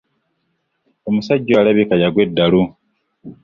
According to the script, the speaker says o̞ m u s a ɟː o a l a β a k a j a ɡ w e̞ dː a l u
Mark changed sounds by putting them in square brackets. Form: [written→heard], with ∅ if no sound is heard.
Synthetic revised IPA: o̞ m u s a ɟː o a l a β [a→i] k a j a ɡ w e̞ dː a l u